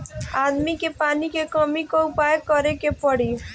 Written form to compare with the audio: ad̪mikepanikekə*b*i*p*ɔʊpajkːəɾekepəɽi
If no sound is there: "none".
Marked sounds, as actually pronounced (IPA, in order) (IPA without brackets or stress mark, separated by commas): m, k